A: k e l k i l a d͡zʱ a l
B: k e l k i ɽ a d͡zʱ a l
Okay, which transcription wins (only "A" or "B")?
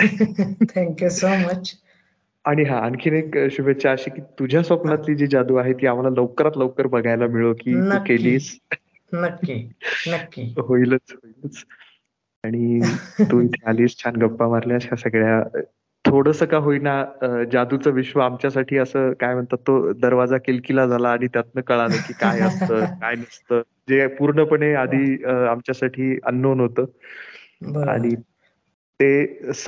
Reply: A